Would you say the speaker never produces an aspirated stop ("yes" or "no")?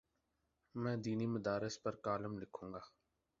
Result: no